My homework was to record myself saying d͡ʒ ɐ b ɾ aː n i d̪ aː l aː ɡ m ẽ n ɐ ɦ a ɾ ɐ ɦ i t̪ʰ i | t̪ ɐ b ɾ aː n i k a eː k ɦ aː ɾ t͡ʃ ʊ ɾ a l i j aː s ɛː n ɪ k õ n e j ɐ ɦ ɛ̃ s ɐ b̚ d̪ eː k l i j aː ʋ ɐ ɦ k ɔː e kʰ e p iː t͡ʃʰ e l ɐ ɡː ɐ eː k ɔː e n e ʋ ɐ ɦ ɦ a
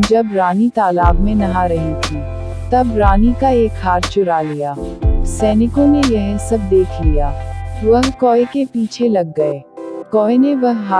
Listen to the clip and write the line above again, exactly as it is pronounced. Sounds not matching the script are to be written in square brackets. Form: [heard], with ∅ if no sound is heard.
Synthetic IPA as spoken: d͡ʒ ɐ b ɾ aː n i [t̪] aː l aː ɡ m ẽ n ɐ ɦ a ɾ ɐ ɦ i t̪ʰ i | t̪ ɐ b ɾ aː n i k a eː k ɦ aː ɾ t͡ʃ ʊ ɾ a l i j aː s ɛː n ɪ k õ n e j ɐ ɦ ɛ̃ s ɐ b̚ d̪ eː [kʰ] l i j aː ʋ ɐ ɦ k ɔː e [k] e p iː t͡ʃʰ e l ɐ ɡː ɐ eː k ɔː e n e ʋ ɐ ɦ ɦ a